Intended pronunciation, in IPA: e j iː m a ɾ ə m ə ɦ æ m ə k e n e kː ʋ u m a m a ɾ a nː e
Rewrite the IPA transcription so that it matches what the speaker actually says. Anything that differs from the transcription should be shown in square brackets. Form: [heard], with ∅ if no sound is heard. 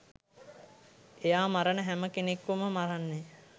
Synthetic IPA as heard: e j [aː] m a ɾ ə [n] ə ɦ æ m ə k e n e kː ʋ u m [ə] m a ɾ a nː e